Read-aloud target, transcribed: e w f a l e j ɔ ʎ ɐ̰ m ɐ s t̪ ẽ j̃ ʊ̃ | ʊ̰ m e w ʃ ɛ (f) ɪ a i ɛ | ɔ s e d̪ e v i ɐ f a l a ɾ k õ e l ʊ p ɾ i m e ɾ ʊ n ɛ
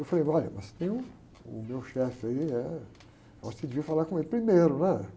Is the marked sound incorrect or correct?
correct